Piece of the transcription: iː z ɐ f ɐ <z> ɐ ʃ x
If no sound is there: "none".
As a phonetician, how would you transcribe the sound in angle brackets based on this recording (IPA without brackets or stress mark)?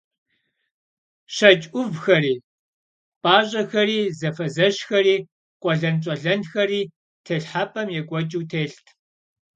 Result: z